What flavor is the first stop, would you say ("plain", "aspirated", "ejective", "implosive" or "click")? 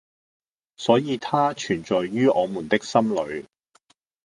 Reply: aspirated